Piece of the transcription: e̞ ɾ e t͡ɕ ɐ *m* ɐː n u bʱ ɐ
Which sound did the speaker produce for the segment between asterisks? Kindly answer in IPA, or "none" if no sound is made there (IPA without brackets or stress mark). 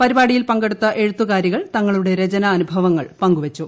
n